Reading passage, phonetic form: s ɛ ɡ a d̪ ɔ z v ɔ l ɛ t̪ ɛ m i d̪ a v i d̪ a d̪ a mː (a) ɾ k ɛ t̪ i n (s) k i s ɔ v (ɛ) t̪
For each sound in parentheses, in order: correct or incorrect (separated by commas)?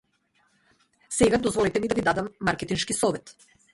correct, incorrect, correct